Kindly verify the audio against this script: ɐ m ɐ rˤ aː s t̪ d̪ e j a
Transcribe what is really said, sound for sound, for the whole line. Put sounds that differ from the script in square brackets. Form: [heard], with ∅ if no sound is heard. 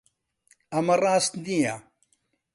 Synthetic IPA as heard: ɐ m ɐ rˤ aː s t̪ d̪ [i] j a